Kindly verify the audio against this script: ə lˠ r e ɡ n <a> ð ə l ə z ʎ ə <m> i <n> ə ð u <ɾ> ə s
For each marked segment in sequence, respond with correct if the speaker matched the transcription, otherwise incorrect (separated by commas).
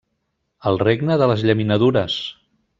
incorrect, correct, correct, correct